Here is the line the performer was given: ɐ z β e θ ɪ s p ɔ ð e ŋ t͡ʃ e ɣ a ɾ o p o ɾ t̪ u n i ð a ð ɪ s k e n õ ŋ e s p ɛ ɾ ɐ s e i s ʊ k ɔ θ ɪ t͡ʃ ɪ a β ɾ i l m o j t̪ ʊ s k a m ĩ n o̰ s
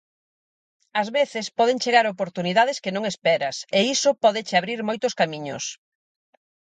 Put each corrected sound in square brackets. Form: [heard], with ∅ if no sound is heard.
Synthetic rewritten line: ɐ z β e θ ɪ s p ɔ ð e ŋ t͡ʃ e ɣ a ɾ o p o ɾ t̪ u n i ð a ð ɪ s k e n õ ŋ e s p ɛ ɾ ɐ s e i s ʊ [p] ɔ [ð] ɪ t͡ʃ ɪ a β ɾ i [ɾ] m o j t̪ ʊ s k a m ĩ [ɲ] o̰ s

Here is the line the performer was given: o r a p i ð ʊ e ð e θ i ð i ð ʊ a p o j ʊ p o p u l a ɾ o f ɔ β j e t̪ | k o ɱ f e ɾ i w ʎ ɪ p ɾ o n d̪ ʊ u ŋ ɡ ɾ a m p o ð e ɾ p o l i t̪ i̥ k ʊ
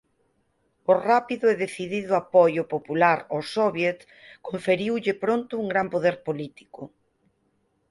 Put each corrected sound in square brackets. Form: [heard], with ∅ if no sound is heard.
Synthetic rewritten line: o r a p i ð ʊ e ð e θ i ð i ð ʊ a p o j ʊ p o p u l a ɾ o [s] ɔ β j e t̪ | k o ɱ f e ɾ i w ʎ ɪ p ɾ o n [t̪] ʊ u ŋ ɡ ɾ a m p o ð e ɾ p o l i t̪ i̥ k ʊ

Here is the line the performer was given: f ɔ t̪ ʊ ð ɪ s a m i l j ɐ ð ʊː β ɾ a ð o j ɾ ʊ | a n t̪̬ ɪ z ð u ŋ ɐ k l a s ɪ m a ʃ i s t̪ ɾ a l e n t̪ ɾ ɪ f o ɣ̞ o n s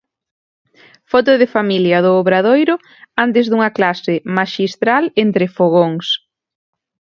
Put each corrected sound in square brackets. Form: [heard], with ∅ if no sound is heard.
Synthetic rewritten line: f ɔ t̪ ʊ ð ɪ [f] a m i l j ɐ ð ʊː β ɾ a ð o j ɾ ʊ | a n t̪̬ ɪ z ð u ŋ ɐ k l a s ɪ m a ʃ i s t̪ ɾ a l e n t̪ ɾ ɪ f o ɣ̞ o [ŋ] s

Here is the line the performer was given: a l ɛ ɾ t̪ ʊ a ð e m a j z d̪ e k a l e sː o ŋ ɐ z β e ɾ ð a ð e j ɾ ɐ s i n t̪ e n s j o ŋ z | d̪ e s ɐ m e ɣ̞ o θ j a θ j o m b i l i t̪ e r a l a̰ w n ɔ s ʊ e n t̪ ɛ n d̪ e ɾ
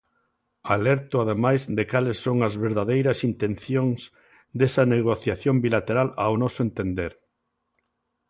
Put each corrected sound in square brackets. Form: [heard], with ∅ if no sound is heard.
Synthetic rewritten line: a l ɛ ɾ t̪ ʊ a ð e m a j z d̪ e k a l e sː o ŋ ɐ z β e ɾ ð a ð e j ɾ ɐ s i n t̪ e n [θ] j o ŋ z | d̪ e s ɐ [n] e ɣ̞ o θ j a θ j o m b i l [a] t̪ e [ɾ] a l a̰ w n ɔ s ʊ e n t̪ [e] n d̪ e ɾ

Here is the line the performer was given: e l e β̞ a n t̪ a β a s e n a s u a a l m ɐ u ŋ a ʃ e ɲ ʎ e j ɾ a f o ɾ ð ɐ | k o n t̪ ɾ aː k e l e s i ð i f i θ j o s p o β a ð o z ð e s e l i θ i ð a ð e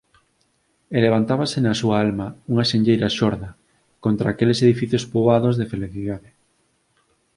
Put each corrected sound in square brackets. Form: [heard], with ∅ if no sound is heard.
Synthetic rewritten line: e l e β̞ a n t̪ a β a s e n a s u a a l m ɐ u ŋ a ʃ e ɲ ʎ e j ɾ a [ʃ] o ɾ ð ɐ | k o n t̪ ɾ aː k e l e s [e] ð i f i θ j o s p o β a ð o z ð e [f] e l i θ i ð a ð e

